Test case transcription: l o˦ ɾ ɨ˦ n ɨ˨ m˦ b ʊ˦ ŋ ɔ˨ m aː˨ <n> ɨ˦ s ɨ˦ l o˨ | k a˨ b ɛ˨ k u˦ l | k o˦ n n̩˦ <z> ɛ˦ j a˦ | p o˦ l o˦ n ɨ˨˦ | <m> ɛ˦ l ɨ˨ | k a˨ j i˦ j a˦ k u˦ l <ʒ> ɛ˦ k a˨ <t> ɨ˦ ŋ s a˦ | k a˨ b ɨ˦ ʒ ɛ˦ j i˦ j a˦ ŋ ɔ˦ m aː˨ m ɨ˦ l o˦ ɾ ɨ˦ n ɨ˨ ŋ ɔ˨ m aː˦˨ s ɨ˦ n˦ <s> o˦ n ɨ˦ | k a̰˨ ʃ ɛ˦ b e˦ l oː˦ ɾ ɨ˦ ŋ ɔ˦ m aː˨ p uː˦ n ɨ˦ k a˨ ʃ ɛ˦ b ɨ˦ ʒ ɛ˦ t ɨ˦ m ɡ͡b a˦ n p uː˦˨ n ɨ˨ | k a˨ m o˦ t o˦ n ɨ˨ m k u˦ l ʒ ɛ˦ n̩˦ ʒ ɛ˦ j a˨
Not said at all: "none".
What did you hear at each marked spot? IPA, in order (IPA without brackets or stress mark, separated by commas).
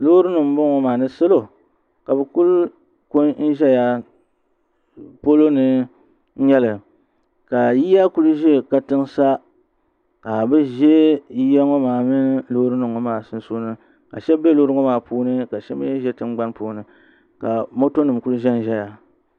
n, ʒ, ɲ, ʒ, t, s